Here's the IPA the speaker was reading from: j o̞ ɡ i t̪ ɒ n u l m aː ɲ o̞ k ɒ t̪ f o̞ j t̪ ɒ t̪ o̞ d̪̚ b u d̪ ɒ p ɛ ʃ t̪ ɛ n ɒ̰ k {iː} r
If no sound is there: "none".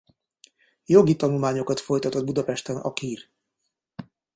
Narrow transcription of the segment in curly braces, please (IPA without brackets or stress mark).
iː